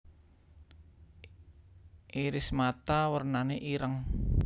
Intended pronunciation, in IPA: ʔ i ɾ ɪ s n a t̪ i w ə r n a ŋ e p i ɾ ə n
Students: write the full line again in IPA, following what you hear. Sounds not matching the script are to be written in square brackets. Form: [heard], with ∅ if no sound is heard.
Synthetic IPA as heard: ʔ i ɾ ɪ s [m] a t̪ [a] w ə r n a [n] e [ʔ] i ɾ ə [ŋ]